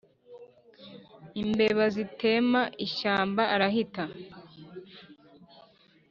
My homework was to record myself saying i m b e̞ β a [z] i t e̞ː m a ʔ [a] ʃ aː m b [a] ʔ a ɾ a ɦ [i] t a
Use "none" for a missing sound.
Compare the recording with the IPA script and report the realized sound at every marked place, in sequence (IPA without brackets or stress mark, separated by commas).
z, i, a, i